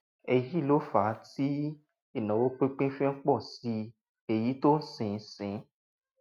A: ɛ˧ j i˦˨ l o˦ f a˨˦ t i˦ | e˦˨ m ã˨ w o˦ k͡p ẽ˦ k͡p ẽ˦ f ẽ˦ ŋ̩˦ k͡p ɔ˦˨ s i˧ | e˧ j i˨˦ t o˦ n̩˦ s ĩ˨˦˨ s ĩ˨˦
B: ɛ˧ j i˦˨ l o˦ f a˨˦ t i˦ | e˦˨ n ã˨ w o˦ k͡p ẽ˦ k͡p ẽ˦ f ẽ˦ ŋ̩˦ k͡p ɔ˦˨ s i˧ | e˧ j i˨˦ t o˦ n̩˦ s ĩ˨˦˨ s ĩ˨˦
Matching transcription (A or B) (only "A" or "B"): B